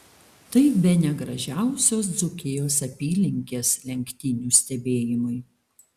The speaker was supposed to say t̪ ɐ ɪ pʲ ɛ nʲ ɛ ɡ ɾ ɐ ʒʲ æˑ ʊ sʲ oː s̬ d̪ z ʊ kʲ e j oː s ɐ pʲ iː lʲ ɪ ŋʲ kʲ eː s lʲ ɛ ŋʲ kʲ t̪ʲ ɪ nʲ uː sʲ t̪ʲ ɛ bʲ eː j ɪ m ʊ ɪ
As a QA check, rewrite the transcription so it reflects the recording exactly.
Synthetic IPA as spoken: t̪ ɐ ɪ bʲ ɛ nʲ ɛ ɡ ɾ ɐ ʒʲ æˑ ʊ sʲ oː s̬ d̪ z ʊ kʲ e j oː s ɐ pʲ iː lʲ ɪ ŋʲ kʲ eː s lʲ ɛ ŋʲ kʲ t̪ʲ ɪ nʲ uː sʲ t̪ʲ ɛ bʲ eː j ɪ m ʊ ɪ